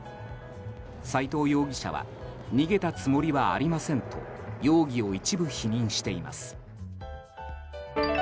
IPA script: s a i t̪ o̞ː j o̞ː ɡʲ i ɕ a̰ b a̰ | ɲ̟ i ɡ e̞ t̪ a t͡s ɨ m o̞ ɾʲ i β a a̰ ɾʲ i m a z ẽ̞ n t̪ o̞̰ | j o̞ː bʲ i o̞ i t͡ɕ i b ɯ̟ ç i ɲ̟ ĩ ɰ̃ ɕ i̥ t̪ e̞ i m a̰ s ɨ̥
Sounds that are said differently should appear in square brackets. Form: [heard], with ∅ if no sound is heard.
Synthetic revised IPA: s a i t̪ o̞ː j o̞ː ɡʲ i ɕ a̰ [β] a̰ | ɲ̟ i ɡ e̞ t̪ a t͡s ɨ m o̞ ɾʲ i β a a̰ ɾʲ i m a [s] ẽ̞ n t̪ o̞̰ | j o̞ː [ɡʲ] i o̞ i t͡ɕ i b ɯ̟ ç i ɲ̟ ĩ ɰ̃ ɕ i̥ t̪ e̞ i m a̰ s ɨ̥